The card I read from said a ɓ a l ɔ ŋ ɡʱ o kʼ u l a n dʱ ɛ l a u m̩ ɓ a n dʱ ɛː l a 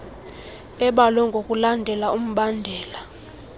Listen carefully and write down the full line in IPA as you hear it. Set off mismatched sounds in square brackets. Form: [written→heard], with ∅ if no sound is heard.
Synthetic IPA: [a→ɛ] ɓ a l ɔ ŋ ɡʱ o kʼ u l a n dʱ ɛ l a u m̩ ɓ a n dʱ ɛː l a